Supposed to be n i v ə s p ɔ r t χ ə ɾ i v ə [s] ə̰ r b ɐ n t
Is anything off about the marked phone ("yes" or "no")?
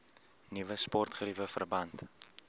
yes